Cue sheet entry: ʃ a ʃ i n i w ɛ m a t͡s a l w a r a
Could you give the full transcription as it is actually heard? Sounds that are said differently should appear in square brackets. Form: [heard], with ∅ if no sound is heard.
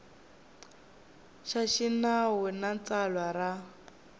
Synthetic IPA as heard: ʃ a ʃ i n [a] w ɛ [n] a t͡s a l w a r a